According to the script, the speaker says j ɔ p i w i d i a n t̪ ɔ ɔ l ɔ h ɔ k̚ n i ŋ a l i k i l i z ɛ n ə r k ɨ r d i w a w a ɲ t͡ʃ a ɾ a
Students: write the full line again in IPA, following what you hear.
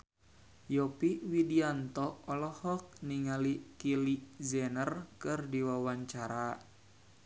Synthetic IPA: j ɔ p i w i d i a n t̪ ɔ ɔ l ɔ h ɔ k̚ n i ŋ a l i k i l i z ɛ n ə r k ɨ r d i w a w a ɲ t͡ʃ a ɾ a